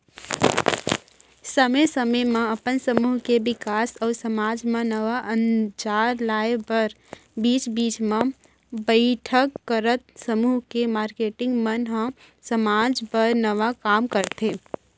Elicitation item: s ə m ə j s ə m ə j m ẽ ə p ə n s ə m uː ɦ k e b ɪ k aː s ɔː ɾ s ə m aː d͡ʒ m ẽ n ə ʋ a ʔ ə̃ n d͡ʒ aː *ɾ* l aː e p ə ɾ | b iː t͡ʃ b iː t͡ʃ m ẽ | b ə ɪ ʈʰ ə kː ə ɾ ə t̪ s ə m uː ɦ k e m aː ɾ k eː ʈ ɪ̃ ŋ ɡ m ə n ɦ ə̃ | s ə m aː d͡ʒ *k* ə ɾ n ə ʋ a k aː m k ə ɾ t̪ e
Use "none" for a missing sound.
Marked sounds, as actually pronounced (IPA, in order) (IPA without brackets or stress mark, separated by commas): ɾ, p